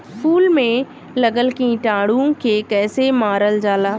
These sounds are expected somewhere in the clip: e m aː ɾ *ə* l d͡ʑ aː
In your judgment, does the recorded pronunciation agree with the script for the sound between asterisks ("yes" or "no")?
yes